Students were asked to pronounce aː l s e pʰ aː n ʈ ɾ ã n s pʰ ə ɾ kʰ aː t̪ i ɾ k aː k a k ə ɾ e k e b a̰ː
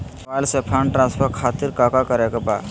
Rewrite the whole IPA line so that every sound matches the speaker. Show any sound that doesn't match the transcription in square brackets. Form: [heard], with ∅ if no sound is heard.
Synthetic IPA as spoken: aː l s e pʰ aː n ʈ ɾ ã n s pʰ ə ɾ kʰ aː t̪ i ɾ k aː k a k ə ɾ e k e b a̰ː